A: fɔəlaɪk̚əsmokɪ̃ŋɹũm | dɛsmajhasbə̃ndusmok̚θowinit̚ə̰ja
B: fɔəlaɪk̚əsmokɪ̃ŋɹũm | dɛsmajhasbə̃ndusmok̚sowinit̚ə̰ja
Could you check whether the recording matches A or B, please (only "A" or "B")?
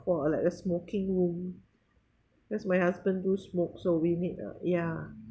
B